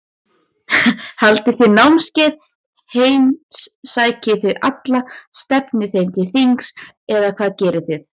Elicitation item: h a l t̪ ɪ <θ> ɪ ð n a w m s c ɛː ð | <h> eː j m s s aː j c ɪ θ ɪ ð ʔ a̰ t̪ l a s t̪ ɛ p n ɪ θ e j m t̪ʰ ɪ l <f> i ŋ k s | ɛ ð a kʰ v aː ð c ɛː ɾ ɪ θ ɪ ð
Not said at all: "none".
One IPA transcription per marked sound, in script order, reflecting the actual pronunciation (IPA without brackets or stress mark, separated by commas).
θ, h, θ